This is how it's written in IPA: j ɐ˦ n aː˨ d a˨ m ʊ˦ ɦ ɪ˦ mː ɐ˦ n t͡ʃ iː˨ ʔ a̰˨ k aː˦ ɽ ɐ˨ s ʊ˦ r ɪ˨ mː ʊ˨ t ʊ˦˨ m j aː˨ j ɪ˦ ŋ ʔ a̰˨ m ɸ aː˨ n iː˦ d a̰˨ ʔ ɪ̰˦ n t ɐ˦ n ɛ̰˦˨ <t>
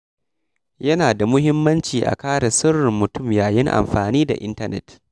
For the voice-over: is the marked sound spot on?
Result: yes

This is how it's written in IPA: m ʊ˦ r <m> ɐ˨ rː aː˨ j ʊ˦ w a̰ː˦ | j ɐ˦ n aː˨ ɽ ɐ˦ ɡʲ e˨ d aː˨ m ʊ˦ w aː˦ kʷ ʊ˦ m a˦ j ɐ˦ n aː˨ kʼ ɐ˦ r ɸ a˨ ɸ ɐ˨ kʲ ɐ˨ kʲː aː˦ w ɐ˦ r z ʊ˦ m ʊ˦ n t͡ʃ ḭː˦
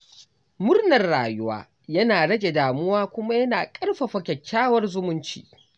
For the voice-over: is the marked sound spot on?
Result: no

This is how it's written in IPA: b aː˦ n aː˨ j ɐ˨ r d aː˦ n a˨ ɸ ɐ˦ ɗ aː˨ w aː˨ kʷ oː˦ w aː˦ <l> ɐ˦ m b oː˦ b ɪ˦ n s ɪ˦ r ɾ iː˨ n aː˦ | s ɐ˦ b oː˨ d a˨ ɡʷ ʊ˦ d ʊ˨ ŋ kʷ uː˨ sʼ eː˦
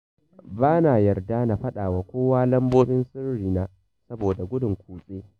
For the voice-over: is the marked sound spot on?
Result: yes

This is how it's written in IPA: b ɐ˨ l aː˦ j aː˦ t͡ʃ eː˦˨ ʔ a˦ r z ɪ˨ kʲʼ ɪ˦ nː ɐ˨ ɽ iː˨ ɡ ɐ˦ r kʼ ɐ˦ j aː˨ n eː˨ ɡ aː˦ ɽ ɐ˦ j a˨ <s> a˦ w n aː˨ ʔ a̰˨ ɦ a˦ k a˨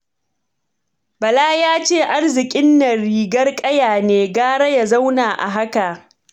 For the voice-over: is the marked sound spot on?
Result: no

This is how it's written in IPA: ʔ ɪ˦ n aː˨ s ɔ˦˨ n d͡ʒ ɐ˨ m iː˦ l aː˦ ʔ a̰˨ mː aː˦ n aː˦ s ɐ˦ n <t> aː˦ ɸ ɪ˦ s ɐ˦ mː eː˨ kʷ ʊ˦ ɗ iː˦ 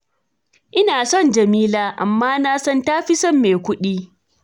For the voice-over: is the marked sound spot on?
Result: yes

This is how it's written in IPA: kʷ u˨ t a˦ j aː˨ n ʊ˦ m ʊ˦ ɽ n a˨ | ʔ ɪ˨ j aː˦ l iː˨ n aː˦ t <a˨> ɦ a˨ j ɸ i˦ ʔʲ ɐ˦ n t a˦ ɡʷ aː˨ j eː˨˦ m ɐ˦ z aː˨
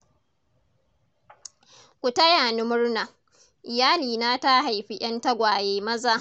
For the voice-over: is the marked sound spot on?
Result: no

